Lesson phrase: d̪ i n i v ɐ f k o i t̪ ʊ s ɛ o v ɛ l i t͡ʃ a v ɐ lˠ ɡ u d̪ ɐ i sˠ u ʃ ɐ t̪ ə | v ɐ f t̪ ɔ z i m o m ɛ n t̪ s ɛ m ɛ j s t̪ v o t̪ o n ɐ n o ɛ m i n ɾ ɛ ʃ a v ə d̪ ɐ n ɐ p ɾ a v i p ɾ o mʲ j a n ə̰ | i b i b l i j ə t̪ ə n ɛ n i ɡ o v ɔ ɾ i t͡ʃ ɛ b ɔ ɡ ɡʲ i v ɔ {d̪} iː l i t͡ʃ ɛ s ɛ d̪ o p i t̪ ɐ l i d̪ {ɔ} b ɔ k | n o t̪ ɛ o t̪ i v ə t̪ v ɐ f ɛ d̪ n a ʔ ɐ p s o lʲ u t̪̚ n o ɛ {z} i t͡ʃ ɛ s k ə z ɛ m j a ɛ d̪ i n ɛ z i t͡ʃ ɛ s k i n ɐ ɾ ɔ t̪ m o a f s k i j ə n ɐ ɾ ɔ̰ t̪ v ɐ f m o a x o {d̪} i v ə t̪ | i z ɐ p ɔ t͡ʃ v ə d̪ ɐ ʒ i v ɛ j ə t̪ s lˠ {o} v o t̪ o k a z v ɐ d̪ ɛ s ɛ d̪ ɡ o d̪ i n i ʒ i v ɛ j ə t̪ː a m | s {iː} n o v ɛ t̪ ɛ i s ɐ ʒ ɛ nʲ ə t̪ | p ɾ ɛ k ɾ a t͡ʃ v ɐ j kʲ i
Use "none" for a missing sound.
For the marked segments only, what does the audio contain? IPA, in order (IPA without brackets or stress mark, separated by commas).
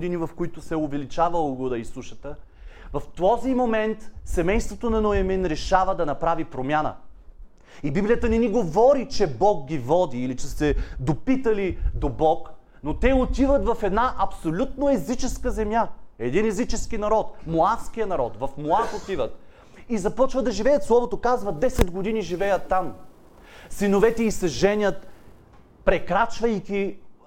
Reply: d̪, o, z, t̪, ɔ, i